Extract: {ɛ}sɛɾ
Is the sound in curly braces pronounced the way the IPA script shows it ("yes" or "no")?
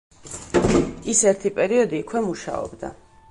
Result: no